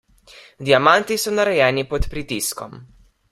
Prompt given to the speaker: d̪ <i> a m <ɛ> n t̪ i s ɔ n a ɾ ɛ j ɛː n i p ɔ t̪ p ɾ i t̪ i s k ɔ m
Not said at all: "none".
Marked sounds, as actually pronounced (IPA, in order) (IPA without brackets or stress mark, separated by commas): i, a